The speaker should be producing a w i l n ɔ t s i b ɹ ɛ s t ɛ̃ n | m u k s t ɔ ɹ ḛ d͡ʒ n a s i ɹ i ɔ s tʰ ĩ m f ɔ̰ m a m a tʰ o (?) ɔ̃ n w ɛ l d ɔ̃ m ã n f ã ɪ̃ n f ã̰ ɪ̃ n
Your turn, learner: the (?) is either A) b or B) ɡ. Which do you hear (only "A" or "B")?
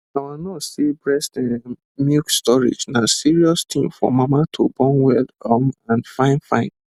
A